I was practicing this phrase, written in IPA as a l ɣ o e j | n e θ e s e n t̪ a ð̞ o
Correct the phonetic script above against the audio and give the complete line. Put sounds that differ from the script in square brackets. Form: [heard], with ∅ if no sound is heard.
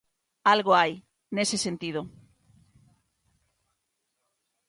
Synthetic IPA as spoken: a l ɣ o [a] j | n e [s] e s e n t̪ [i] ð̞ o